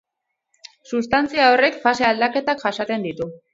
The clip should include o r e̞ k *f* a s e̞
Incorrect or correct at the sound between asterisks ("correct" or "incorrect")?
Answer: correct